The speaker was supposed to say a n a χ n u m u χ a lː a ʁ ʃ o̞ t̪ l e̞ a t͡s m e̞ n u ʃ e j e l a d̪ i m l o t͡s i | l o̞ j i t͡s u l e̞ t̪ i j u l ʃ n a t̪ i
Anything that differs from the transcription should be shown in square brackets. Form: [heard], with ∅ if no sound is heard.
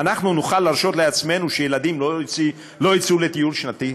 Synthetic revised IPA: a n a χ n u [n] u χ a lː a ʁ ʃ o̞ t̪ l e̞ a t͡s m e̞ n u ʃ e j e l a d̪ i m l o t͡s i | l o̞ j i t͡s u l e̞ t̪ i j u l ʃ n a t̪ i